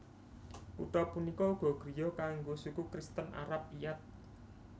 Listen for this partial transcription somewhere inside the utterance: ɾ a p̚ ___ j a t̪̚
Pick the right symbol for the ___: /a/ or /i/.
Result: i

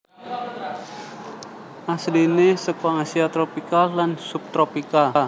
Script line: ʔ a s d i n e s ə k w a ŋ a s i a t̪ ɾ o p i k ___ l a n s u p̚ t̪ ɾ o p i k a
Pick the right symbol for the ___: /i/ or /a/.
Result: a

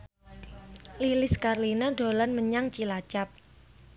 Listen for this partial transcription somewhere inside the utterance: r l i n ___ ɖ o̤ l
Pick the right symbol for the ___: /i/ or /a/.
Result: a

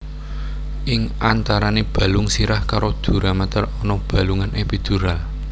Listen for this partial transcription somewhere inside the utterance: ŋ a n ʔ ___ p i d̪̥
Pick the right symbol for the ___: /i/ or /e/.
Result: e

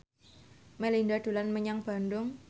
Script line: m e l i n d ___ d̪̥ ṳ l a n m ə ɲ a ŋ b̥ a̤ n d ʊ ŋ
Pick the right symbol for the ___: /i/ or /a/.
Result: a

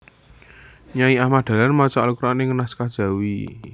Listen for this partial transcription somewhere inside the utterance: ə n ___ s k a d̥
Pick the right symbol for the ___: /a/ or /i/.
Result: a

